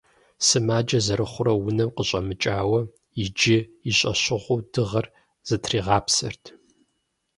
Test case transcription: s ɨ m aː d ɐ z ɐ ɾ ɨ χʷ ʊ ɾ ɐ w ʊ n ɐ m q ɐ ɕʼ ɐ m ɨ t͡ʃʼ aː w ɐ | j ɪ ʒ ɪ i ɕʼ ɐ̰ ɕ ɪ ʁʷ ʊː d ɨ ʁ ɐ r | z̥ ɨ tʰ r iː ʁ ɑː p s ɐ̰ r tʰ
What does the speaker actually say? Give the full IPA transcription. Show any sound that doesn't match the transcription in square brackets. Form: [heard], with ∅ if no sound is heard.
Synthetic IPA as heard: s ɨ m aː [d͡ʒ] ɐ z ɐ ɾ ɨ χʷ ʊ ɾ ɐ w ʊ n ɐ m q [ə] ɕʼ ɐ m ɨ t͡ʃʼ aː w ɐ | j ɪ [d͡ʒ] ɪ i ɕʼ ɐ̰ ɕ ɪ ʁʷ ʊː d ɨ ʁ ɐ r | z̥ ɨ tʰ r iː ʁ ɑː p s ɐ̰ r tʰ